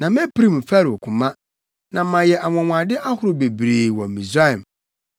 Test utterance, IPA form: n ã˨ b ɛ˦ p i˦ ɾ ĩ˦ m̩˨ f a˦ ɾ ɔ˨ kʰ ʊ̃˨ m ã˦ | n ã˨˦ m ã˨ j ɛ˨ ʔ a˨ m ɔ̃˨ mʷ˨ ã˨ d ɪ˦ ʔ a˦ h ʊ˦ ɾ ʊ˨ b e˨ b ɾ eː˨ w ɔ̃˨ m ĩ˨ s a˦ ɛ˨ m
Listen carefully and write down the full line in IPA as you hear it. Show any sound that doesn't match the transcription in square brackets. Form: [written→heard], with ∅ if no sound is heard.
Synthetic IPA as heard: n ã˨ [b→m] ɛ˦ p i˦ ɾ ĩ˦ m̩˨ f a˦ ɾ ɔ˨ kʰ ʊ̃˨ m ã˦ | n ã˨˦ m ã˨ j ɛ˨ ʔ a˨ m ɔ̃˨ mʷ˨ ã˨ d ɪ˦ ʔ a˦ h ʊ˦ ɾ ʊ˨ b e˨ b ɾ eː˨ w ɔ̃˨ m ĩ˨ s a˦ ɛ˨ m